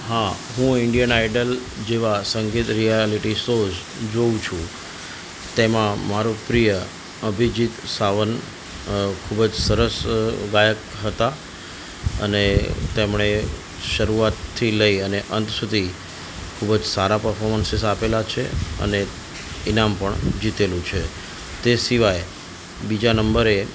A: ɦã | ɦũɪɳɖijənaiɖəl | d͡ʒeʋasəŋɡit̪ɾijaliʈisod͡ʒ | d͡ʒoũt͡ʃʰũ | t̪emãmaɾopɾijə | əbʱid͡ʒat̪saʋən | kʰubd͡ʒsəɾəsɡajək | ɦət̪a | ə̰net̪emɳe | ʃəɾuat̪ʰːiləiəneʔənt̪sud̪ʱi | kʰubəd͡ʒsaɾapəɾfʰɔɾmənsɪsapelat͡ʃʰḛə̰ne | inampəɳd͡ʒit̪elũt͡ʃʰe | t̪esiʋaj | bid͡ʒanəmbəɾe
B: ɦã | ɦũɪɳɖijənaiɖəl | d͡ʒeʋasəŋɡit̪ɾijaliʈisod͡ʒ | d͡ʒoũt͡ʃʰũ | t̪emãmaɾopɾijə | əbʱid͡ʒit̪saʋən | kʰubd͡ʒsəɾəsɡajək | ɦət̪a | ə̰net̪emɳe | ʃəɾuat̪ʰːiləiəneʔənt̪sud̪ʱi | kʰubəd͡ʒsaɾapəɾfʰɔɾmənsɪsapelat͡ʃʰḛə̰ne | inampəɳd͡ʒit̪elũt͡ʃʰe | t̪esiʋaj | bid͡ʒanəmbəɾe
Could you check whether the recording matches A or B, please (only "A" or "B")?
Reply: B